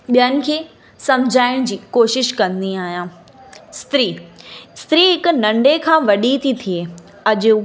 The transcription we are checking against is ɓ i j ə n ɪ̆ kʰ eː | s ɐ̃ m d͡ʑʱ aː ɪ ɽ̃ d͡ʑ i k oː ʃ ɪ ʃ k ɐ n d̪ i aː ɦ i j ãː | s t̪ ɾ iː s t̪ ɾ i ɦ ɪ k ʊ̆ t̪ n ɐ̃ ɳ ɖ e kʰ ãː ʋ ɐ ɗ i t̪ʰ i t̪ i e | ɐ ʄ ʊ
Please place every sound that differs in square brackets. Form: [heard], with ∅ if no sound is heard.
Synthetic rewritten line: ɓ i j ə n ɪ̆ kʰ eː | s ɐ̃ m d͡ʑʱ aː ɪ ɽ̃ d͡ʑ [iː] k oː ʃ ɪ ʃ k [ɐ̃] n d̪ i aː ɦ i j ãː | s t̪ ɾ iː s t̪ ɾ i ɦ ɪ k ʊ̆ [∅] n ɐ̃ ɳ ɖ e kʰ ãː ʋ ɐ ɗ i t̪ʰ i [t̪ʰ] i e | ɐ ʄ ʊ